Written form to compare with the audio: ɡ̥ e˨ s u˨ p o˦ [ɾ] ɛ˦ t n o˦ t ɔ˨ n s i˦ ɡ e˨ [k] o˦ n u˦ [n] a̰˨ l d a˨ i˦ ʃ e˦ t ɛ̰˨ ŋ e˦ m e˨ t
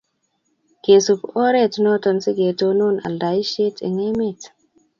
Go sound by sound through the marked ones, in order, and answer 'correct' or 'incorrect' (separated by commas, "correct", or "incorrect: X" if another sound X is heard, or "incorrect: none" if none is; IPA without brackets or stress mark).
correct, incorrect: t, correct